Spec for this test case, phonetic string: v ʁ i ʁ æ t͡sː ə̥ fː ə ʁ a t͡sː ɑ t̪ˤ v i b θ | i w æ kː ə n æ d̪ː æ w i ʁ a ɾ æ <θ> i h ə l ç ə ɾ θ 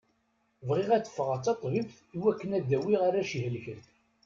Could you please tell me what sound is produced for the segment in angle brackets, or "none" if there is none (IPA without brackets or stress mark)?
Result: ʃ